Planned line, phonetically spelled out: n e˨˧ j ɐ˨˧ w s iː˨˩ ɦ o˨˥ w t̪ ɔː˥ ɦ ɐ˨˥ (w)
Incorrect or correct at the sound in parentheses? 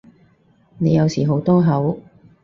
correct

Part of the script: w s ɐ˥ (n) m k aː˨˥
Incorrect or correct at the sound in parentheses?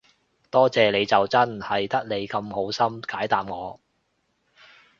incorrect: none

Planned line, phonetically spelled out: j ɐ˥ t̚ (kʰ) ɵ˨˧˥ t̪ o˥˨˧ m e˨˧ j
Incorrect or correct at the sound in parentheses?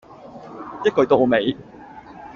incorrect: k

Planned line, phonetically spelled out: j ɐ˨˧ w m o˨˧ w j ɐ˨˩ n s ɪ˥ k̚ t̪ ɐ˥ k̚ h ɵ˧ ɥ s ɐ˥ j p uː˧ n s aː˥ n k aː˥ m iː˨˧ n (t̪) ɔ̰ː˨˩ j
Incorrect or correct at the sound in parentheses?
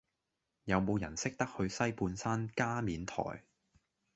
incorrect: t̪ʰ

